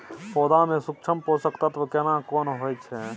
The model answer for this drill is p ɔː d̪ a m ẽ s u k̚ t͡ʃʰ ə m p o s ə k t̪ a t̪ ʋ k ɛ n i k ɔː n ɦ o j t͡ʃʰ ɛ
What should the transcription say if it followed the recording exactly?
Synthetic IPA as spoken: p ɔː d̪ a m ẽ s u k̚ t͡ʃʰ ə m p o s ə k t̪ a t̪ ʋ k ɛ n a k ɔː n ɦ o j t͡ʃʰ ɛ

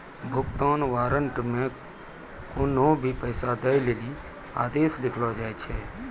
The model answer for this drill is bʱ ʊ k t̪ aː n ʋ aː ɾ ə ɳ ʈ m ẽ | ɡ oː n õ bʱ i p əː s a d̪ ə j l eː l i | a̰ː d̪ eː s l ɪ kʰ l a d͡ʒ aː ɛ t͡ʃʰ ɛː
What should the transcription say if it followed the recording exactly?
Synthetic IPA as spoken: bʱ ʊ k t̪ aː n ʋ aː ɾ ə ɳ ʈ m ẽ | k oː n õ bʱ i p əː s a d̪ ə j l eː l i | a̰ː d̪ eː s l ɪ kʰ l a d͡ʒ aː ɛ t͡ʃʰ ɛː

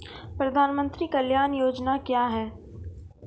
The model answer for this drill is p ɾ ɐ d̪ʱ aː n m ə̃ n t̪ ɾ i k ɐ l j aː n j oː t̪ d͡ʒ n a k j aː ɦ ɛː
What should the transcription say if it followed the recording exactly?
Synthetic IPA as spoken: p ɾ ɐ d̪ʱ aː n m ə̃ n t̪ ɾ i k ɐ l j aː n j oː d͡ʒ n a k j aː ɦ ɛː

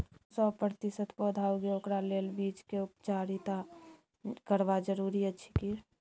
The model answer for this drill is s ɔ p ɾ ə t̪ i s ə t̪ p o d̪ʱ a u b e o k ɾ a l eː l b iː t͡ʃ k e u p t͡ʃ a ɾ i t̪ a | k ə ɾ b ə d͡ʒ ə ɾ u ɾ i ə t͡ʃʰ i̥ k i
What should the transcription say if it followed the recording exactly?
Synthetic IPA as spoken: s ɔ p ɾ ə t̪ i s ə t̪ p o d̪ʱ a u ɡ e o k ɾ a l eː l b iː t͡ʃ k e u p t͡ʃ a ɾ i t̪ a | k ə ɾ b a d͡ʒ ə ɾ u ɾ i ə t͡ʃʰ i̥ k i

